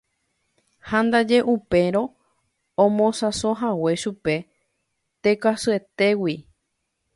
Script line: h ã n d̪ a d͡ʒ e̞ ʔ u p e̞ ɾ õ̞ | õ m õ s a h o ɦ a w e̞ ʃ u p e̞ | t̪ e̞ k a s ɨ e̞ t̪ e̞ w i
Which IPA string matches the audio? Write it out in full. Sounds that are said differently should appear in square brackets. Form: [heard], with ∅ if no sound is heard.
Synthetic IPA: h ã n d̪ a d͡ʒ e̞ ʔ u p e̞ ɾ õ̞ | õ m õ s a [s] o ɦ a w e̞ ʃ u p e̞ | t̪ e̞ k a s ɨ e̞ t̪ e̞ w i

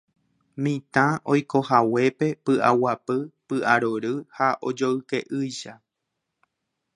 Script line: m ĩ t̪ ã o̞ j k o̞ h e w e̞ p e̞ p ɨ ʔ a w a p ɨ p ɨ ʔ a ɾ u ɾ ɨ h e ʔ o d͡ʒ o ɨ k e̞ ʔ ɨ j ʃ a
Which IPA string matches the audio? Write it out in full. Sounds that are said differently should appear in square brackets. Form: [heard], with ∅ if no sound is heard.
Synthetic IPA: m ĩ t̪ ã o̞ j k o̞ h [a] w e̞ p e̞ p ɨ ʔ a w a p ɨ p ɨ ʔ a ɾ [o] ɾ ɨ h [a] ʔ o d͡ʒ o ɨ k e̞ ʔ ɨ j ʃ a

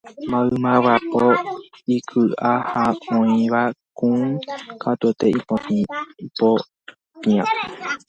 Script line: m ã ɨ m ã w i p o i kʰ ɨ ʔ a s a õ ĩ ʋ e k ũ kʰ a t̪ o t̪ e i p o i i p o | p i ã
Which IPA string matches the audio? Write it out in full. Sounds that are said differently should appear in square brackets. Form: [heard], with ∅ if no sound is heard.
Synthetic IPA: m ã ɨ m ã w [a] p o i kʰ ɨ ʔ a [h] a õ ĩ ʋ [a] k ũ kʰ a t̪ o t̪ e i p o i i p o | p i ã

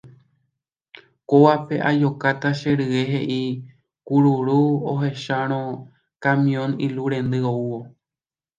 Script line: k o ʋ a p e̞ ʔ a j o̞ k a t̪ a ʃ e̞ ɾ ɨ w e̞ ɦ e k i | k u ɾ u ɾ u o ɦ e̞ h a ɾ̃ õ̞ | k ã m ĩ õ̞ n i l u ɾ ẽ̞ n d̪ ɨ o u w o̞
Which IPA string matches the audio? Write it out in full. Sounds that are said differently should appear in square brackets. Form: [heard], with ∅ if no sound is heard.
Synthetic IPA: k o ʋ a p e̞ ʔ a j o̞ k a t̪ a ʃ e̞ ɾ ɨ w e̞ ɦ e [ʔ] i | k u ɾ u ɾ u o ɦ e̞ [ʃ] a ɾ̃ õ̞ | k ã m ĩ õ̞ n i l u ɾ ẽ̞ n d̪ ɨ o u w o̞

